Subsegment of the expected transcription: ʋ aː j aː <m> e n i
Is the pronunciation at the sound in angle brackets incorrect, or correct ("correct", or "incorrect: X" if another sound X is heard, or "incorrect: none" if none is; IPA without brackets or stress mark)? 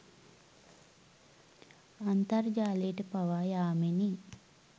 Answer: correct